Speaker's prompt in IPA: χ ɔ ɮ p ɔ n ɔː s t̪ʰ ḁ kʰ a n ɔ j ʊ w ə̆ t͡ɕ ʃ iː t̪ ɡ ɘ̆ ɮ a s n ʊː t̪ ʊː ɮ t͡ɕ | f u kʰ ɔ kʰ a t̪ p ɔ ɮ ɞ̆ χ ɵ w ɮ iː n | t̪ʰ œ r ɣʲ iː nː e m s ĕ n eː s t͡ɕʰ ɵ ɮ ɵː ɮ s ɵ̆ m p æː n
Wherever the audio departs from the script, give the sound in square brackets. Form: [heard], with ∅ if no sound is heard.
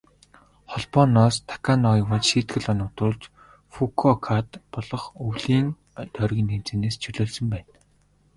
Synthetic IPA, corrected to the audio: χ ɔ ɮ p ɔ n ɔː s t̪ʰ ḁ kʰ a n ɔ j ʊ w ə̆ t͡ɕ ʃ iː t̪ ɡ ɘ̆ ɮ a [∅] n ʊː t̪ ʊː ɮ t͡ɕ | f u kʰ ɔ kʰ a t̪ p ɔ ɮ ɞ̆ χ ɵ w ɮ iː n | t̪ʰ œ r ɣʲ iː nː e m [t͡s] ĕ n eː s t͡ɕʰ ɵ ɮ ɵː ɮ s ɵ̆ m p æː n